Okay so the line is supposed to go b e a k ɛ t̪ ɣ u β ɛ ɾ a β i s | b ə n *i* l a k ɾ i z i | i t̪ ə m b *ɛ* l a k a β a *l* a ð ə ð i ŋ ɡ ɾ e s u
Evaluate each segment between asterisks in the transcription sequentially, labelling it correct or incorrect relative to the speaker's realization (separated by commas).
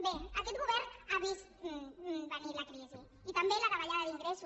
correct, incorrect, incorrect